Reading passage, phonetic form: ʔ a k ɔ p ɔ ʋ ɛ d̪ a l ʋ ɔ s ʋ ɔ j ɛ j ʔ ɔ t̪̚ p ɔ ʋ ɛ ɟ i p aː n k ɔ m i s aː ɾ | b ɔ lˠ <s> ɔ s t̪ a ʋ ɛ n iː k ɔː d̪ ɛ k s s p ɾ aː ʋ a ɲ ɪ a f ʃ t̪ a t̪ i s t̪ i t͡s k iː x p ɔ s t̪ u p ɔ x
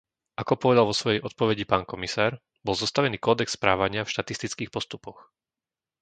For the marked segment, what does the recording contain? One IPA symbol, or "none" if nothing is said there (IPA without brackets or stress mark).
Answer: z